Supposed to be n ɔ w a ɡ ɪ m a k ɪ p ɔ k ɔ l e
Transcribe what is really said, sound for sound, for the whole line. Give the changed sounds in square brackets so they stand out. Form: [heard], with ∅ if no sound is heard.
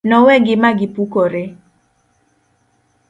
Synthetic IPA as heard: n ɔ w [ɛ] ɡ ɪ m a [ɡ] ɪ p [u] k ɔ [ɾ] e